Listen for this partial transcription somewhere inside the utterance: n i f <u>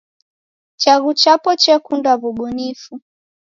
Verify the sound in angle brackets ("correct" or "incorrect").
correct